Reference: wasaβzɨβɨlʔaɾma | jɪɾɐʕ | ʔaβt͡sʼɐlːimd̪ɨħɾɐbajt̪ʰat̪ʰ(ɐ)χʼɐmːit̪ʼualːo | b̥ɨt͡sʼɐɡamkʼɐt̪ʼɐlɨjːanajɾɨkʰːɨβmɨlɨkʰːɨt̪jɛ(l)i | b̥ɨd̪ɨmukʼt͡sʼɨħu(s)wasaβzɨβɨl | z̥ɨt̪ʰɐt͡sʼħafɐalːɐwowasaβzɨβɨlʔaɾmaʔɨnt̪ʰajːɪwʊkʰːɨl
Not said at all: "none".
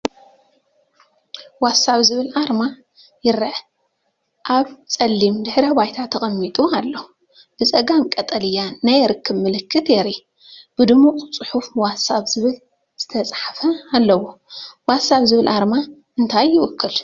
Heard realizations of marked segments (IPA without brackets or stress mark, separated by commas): ɐ, ɾ, f